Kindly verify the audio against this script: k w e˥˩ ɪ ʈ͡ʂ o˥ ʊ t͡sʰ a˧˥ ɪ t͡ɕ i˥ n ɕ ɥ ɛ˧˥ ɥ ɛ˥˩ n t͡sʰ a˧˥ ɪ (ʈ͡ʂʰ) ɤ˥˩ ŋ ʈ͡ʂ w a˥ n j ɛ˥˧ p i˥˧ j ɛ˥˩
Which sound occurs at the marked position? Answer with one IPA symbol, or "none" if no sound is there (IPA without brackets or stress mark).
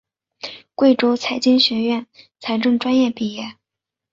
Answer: ʈ͡ʂ